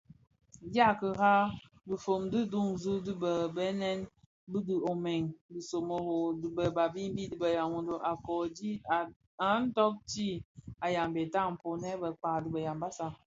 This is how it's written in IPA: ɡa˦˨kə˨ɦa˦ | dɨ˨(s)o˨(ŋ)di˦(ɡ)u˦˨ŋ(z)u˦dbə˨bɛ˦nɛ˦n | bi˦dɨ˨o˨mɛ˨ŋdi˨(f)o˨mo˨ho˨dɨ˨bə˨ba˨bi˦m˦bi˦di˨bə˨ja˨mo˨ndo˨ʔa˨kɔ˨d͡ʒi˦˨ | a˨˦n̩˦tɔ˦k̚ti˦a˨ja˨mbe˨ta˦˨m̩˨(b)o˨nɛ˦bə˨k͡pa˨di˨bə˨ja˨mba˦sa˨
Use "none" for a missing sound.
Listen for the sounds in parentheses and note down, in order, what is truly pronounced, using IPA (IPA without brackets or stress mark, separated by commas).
f, m, d, z, s, p